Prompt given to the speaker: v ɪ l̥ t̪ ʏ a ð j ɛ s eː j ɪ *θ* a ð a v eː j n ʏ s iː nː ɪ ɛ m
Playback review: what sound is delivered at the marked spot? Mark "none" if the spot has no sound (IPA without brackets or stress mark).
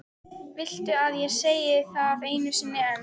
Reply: θ